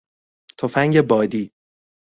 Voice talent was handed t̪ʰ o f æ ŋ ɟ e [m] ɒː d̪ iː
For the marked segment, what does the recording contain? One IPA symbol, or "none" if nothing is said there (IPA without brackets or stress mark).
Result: b